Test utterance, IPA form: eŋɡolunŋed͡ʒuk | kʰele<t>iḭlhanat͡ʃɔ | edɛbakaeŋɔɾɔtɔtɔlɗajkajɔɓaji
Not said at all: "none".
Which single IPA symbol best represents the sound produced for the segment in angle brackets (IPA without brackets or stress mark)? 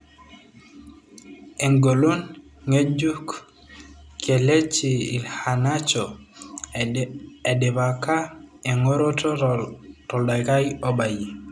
t͡ʃ